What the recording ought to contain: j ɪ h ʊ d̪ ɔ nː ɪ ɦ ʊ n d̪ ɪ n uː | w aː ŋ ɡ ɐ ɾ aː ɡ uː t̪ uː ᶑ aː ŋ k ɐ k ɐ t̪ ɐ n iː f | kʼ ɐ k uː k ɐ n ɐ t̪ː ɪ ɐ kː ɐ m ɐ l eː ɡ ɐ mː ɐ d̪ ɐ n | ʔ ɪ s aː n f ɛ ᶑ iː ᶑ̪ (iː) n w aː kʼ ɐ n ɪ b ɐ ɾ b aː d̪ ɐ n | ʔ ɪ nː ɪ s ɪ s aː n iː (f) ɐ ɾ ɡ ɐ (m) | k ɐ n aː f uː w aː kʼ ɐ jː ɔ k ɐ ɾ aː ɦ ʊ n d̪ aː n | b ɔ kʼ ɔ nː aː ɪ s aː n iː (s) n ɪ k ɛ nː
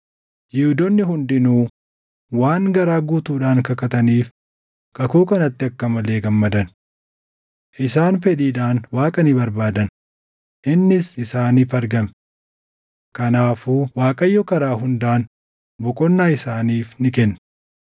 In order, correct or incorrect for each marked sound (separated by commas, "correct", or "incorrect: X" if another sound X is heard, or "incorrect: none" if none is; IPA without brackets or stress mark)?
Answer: incorrect: aː, correct, correct, incorrect: f